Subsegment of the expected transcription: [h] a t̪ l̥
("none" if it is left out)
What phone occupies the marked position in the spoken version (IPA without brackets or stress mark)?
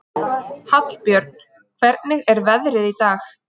h